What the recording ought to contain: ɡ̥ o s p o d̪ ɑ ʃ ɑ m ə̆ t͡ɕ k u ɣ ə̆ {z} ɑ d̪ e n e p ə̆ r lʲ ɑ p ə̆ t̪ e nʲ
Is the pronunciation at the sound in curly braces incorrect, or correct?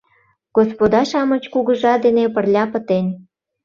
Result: incorrect